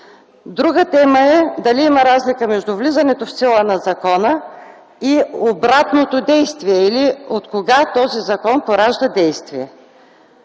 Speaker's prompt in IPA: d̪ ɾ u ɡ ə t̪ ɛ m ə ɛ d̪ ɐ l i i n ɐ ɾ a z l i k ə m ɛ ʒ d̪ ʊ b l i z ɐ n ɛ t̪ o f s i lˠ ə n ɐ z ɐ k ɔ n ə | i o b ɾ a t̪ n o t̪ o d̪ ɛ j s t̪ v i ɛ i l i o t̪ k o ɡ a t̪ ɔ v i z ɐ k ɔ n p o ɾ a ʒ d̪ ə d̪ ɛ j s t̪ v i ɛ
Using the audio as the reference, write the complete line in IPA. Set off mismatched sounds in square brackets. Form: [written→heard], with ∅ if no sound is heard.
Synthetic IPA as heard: d̪ ɾ u ɡ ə t̪ ɛ m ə ɛ d̪ ɐ l i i [n→m] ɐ ɾ a z l i k ə m ɛ ʒ d̪ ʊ [b→v] l i z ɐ n ɛ t̪ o f s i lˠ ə n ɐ z ɐ k ɔ n ə | i o b ɾ a t̪ n o t̪ o d̪ ɛ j s t̪ v i ɛ i l i o t̪ k o ɡ a t̪ ɔ [v→z] i z ɐ k ɔ n p o ɾ a ʒ d̪ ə d̪ ɛ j s t̪ v i ɛ